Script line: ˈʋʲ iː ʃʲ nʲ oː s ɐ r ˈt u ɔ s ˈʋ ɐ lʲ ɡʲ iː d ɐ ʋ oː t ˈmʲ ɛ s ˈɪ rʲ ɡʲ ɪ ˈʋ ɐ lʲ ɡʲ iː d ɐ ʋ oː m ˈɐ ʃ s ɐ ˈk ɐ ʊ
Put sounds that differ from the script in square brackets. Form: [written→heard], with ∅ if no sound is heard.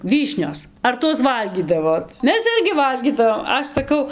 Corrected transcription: ˈʋʲ iː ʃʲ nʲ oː s ɐ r ˈt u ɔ s ˈʋ ɐ lʲ ɡʲ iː d ɐ ʋ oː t ˈmʲ ɛ s ˈɪ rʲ ɡʲ ɪ ˈʋ ɐ lʲ ɡʲ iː d ɐ ʋ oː m ˈɐ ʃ s ɐ ˈk ɐ ʊ